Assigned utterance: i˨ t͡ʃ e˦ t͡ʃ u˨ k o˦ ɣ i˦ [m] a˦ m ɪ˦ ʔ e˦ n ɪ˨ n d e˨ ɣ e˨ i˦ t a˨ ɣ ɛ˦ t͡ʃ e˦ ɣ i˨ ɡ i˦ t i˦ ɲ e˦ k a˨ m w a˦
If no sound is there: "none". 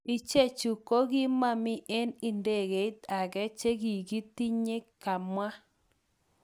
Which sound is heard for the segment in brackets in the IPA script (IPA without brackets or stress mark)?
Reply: m